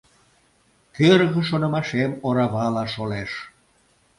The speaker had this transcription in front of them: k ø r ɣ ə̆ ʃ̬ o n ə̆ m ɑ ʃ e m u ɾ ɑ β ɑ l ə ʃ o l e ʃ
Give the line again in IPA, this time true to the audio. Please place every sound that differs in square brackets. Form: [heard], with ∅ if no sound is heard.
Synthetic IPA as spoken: k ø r ɣ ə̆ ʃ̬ o n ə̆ m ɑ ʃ e m [o] ɾ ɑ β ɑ l [ɑ] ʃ o l e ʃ